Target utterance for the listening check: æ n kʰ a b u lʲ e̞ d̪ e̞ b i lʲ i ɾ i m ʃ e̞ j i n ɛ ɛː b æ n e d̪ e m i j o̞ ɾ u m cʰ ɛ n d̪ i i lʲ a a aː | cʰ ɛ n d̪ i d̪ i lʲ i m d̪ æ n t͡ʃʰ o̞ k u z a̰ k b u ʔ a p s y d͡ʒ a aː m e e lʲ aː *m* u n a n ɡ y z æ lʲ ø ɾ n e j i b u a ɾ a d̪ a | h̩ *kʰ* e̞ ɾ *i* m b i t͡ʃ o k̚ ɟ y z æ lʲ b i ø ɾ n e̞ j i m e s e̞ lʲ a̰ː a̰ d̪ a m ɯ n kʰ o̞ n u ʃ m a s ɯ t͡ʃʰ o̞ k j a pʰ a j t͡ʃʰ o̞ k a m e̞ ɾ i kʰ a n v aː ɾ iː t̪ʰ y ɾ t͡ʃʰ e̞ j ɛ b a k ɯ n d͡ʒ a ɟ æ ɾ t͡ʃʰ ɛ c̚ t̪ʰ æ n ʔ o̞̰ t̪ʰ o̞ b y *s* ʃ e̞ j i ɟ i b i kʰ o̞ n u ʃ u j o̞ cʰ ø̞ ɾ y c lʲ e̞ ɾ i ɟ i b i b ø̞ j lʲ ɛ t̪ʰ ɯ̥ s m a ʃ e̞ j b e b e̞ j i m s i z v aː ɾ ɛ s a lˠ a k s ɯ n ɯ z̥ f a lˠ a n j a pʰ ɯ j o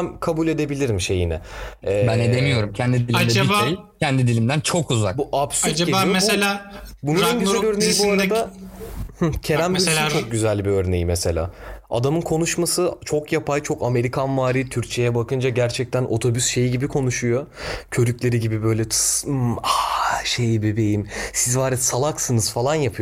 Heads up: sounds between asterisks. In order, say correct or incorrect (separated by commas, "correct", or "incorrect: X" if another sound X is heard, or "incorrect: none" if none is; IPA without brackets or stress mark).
incorrect: b, incorrect: cʰ, incorrect: æ, correct